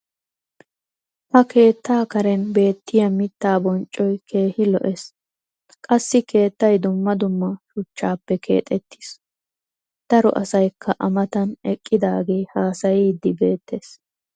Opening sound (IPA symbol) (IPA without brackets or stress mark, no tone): h